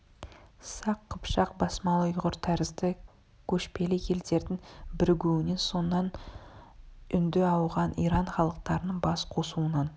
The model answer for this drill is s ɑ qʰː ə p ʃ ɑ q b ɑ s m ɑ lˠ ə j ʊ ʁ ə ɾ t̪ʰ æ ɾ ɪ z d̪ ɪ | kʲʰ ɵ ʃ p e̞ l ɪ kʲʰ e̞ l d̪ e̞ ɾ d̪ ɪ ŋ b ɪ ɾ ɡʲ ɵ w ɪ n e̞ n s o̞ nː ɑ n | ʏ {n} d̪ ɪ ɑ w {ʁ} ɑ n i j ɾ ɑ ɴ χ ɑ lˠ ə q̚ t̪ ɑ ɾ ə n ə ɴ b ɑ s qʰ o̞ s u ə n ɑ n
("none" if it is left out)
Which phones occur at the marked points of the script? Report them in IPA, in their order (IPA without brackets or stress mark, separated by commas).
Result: n, ʁ